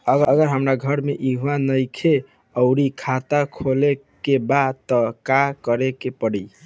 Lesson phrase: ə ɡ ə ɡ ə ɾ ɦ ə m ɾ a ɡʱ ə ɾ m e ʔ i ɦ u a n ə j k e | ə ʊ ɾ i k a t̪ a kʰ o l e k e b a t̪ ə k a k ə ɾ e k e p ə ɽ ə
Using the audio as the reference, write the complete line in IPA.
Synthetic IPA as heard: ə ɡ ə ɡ ə ɾ ɦ ə m ɾ a ɡʱ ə ɾ m e ʔ i ɦ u a n ə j kʰ e | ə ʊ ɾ i kʰ a t̪ a kʰ o l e k e b a t̪ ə k a k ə ɾ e k e p ə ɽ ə